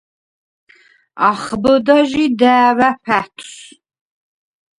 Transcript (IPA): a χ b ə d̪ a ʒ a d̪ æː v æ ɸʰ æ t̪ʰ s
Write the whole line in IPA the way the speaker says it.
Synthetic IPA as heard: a χ b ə d̪ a ʒ i d̪ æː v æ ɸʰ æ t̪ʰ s